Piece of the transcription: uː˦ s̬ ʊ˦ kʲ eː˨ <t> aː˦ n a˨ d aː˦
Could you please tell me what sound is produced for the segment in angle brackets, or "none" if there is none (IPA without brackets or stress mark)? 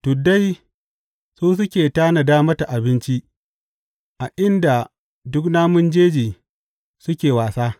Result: t